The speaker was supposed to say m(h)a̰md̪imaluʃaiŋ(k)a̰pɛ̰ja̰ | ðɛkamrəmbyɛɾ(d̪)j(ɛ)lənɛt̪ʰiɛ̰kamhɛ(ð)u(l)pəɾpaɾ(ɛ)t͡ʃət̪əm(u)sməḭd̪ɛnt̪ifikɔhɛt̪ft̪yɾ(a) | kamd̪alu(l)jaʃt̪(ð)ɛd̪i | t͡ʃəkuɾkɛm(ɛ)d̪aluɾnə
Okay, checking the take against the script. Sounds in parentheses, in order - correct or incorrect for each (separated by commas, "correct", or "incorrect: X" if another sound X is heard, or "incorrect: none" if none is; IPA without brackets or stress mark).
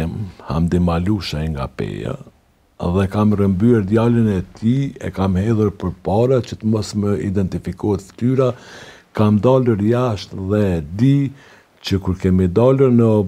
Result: correct, incorrect: ɡ, correct, incorrect: a, correct, incorrect: ɾ, incorrect: a, incorrect: ɔ, correct, incorrect: ɾ, correct, incorrect: i